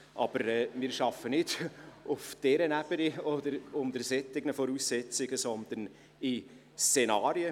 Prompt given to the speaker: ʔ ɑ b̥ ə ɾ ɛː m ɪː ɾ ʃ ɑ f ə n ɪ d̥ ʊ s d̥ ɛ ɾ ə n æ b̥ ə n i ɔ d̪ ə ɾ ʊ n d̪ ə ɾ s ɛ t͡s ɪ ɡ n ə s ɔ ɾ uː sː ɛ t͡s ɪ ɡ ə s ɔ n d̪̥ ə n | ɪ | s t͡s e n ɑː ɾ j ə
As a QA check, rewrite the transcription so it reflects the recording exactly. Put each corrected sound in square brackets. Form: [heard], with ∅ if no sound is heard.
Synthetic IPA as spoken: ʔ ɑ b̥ ə ɾ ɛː m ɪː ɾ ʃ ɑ f ə n ɪ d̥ ʊ [f] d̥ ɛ ɾ ə n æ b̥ ə n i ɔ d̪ ə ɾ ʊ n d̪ ə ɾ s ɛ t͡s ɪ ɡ n ə [f] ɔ ɾ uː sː ɛ t͡s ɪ ɡ ə s ɔ n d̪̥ ə n | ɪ | s t͡s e n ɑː ɾ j ə